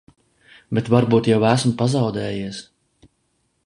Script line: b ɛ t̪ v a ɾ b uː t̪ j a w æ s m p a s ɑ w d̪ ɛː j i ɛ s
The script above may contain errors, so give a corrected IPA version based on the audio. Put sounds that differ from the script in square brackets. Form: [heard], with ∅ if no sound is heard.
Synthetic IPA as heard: b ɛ t̪ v a ɾ b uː t̪ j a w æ s m p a [z] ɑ w d̪ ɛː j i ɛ s